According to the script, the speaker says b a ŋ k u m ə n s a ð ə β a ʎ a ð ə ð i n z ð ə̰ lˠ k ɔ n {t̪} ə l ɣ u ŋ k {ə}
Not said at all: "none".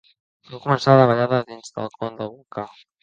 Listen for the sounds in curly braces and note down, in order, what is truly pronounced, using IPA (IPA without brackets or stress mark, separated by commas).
d̪, a